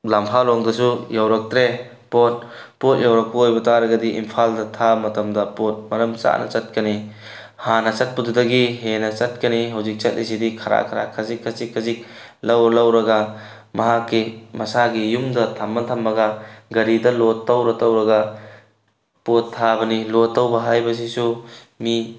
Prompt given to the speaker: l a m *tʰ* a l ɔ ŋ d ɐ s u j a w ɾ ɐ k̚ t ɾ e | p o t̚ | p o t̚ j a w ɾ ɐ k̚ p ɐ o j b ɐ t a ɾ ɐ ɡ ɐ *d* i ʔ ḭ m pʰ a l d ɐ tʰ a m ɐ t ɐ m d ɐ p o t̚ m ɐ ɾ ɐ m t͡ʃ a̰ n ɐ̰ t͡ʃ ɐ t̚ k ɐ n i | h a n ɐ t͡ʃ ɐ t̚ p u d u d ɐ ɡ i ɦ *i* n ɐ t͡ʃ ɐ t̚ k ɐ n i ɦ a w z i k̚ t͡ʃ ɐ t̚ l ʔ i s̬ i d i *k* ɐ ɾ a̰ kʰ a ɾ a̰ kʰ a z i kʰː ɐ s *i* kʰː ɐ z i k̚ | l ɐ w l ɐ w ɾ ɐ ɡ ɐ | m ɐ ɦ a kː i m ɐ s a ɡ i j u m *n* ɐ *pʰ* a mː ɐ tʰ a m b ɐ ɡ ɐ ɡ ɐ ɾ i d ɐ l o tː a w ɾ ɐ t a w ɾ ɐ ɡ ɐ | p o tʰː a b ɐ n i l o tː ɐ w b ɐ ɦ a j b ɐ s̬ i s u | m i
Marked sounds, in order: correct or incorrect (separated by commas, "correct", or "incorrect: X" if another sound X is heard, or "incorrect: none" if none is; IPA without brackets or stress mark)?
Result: incorrect: pʰ, correct, incorrect: e, incorrect: kʰ, correct, incorrect: d, incorrect: tʰ